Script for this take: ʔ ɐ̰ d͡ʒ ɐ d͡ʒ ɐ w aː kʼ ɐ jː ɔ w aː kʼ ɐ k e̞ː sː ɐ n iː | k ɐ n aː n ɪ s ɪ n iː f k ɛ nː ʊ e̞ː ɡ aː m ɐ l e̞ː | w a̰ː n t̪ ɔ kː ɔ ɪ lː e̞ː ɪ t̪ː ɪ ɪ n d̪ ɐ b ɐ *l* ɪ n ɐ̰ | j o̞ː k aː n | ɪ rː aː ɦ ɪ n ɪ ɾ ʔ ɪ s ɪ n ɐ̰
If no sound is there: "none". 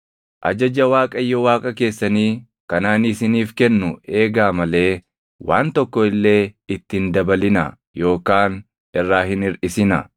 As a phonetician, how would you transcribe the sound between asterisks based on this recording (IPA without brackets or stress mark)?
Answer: l